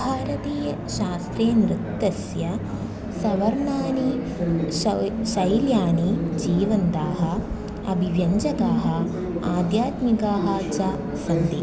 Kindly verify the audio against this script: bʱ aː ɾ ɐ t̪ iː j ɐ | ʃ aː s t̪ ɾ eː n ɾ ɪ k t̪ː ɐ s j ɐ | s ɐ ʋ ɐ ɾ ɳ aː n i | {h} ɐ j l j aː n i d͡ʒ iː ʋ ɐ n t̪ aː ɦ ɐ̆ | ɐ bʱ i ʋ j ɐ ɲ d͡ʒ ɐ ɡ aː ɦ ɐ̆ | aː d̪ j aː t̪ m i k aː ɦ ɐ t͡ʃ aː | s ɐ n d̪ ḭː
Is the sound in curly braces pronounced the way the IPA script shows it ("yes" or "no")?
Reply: no